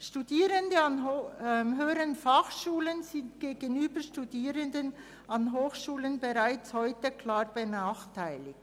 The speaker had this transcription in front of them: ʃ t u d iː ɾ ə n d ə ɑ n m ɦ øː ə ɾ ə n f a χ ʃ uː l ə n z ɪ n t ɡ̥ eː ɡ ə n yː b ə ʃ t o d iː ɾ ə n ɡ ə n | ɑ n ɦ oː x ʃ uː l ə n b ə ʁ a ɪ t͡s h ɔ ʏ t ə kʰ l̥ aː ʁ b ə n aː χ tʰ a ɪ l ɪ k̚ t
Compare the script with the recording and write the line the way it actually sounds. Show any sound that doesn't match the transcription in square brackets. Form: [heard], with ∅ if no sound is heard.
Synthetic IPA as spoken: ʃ t u d iː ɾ ə n d ə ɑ n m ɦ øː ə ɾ ə n f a χ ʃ uː l ə n z ɪ n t ɡ̥ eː ɡ ə n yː b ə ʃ t [u] d iː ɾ ə n [d] ə n | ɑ n ɦ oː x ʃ uː l ə n b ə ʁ a ɪ t͡s h ɔ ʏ t ə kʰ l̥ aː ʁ b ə n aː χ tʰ a ɪ l ɪ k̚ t